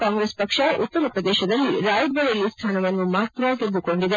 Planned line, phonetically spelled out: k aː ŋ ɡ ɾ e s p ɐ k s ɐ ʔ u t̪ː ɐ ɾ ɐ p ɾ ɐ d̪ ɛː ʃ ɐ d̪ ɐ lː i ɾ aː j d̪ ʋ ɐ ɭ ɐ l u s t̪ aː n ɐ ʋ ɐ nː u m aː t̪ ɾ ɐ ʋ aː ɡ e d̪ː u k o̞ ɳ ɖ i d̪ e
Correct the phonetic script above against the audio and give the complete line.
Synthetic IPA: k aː ŋ ɡ ɾ e s p ɐ k ʂ ɐ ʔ u t̪ː ɐ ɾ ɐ p ɾ ɐ d̪ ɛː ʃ ɐ d̪ ɐ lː i ɾ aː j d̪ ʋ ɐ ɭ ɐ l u s t̪ʰ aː n ɐ ʋ ɐ nː u m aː t̪ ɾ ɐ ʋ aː ɡ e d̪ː u k o̞ ɳ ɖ i d̪ e